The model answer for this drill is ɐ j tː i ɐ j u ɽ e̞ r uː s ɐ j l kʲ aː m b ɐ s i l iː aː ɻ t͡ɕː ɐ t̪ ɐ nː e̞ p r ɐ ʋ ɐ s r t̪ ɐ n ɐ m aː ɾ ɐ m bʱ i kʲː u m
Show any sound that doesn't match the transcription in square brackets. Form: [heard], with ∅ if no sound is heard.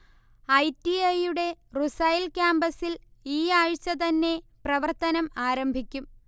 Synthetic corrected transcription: ɐ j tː i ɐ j u ɽ e̞ r [u] s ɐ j l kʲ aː m b ɐ s i l iː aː ɻ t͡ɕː ɐ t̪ ɐ nː e̞ p r ɐ ʋ ɐ [∅] r t̪ ɐ n ɐ m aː ɾ ɐ m bʱ i kʲː u m